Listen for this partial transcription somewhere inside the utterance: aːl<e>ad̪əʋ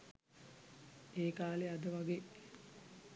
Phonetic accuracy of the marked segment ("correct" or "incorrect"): correct